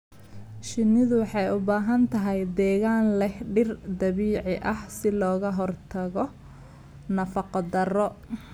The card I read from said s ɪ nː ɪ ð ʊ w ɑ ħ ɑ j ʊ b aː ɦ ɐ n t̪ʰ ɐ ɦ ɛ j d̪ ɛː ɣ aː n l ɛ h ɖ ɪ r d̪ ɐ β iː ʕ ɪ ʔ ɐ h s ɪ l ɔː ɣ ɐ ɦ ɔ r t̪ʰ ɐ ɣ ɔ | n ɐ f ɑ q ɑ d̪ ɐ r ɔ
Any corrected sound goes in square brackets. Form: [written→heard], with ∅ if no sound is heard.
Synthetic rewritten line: [s→ʃ] ɪ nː ɪ ð ʊ w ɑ ħ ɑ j ʊ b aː ɦ ɐ n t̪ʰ ɐ ɦ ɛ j d̪ ɛː ɣ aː n l ɛ h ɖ ɪ r d̪ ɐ β iː ʕ ɪ ʔ ɐ h s ɪ l ɔː ɣ ɐ ɦ ɔ r t̪ʰ ɐ ɣ ɔ | n ɐ f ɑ q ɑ d̪ ɐ r ɔ